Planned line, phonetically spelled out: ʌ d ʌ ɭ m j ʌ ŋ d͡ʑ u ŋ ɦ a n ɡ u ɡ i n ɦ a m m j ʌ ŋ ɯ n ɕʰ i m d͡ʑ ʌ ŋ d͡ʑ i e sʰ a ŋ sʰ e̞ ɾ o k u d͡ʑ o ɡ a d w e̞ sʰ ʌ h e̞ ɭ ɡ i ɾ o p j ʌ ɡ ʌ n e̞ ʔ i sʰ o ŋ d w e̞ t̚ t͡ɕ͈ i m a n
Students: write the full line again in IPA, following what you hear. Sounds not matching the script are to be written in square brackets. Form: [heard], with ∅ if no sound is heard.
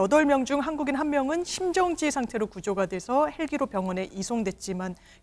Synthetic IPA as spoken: ʌ d ʌ ɭ m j ʌ ŋ d͡ʑ u ŋ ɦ a n ɡ u ɡ i n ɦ a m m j ʌ ŋ ɯ n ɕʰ i m d͡ʑ ʌ ŋ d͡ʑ i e sʰ a ŋ [tʰ] e̞ ɾ o k u d͡ʑ o ɡ a d w e̞ sʰ ʌ h e̞ ɭ ɡ i ɾ o p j ʌ [ŋ] ʌ n e̞ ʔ i sʰ o ŋ d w e̞ t̚ t͡ɕ͈ i m a n